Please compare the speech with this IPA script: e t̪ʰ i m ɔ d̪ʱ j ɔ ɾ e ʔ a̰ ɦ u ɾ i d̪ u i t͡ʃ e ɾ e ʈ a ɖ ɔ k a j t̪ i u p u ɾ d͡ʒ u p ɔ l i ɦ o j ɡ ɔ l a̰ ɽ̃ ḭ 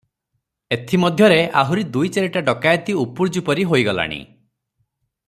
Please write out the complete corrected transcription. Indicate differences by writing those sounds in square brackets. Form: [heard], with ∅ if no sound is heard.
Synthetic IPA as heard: e t̪ʰ i m ɔ d̪ʱ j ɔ ɾ e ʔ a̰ ɦ u ɾ i d̪ u [j] t͡ʃ e ɾ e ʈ a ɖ ɔ k a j t̪ i u p u ɾ d͡ʒ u p ɔ [ɾ] i ɦ o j ɡ ɔ l a̰ ɽ̃ ḭ